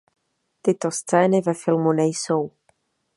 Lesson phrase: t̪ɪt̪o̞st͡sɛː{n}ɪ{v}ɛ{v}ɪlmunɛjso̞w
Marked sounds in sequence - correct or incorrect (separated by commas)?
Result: correct, correct, incorrect